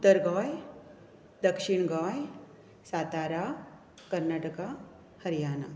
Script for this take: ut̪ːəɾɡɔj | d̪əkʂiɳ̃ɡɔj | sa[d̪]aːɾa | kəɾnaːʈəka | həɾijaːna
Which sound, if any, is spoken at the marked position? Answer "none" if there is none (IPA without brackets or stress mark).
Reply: t̪